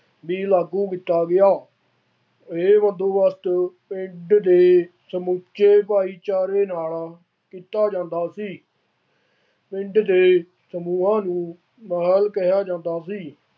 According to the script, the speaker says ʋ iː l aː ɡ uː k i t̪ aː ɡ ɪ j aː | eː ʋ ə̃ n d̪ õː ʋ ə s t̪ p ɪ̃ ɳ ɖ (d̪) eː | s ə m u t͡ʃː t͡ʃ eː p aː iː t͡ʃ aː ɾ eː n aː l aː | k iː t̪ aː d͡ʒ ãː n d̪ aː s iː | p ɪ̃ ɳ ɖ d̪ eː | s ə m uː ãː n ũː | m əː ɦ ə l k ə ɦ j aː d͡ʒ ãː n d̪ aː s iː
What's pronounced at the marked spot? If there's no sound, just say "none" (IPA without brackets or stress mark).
d̪